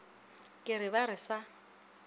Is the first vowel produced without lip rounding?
yes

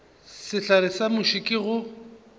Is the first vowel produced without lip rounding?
yes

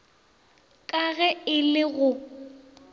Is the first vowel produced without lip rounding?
yes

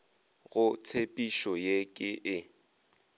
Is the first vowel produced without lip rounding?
no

